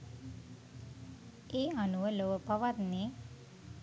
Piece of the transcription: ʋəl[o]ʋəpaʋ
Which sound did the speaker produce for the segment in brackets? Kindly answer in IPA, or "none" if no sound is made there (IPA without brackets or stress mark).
o